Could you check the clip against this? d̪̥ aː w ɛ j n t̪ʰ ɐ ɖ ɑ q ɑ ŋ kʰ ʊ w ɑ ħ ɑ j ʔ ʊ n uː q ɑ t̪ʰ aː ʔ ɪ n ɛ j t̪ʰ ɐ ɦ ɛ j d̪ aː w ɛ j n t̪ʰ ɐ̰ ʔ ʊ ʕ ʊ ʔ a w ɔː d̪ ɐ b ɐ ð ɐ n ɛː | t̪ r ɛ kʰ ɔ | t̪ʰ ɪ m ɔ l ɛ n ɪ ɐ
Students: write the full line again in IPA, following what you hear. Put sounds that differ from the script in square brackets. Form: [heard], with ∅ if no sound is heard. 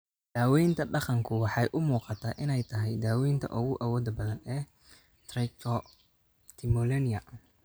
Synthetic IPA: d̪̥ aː w ɛ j n t̪ʰ ɐ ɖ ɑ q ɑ ŋ kʰ ʊ w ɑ ħ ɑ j ʔ ʊ [m] uː q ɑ t̪ʰ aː ʔ ɪ n ɛ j t̪ʰ ɐ ɦ ɛ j d̪ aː w ɛ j n t̪ʰ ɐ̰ ʔ ʊ [ɣ] ʊ ʔ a w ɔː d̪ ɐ b ɐ ð ɐ n ɛː | t̪ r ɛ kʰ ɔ | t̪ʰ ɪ m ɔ l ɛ n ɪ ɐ